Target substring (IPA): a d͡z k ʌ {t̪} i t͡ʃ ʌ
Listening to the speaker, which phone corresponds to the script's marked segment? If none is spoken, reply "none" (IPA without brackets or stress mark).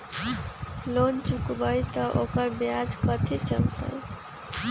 t̪ʰ